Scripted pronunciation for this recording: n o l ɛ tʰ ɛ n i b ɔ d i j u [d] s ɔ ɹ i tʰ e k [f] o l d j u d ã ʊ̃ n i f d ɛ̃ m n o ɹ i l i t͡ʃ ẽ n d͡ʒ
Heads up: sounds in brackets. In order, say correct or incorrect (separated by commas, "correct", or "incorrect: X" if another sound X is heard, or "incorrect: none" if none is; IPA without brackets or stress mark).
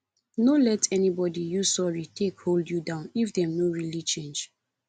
incorrect: none, incorrect: h